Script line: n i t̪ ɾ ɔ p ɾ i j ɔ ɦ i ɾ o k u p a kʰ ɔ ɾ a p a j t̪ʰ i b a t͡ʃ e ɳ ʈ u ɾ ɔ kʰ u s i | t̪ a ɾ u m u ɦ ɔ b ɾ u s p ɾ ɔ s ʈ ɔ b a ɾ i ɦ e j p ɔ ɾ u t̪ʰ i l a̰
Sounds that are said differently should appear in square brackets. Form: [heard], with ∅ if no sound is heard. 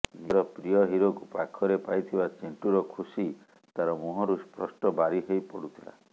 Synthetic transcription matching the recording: n i [∅] ɾ ɔ p ɾ i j ɔ ɦ i ɾ o k u p a kʰ ɔ ɾ [e] p a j t̪ʰ i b a t͡ʃ e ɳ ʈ u ɾ ɔ kʰ u s i | t̪ a ɾ [ɔ] m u ɦ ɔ [∅] ɾ u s p ɾ ɔ s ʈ ɔ b a ɾ i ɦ e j p ɔ [ɽ] u t̪ʰ i l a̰